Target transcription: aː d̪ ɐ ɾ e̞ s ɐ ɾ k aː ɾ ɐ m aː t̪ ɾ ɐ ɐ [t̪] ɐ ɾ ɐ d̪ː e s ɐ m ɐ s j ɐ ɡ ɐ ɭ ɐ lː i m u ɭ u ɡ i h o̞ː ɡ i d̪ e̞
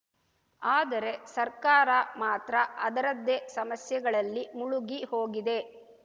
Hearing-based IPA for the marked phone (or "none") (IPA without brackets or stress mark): d̪